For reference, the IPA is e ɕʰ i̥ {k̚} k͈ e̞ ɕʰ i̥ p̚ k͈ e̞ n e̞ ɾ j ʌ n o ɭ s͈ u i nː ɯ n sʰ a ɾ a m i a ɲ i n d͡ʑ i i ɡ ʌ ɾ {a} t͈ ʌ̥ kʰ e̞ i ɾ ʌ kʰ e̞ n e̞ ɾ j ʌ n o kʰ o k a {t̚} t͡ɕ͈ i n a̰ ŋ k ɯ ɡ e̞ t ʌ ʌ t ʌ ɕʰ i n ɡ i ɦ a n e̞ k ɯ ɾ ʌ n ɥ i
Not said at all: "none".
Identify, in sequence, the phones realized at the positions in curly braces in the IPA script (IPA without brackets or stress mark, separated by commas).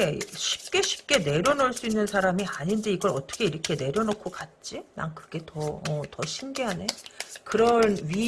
p̚, ʌ, t̚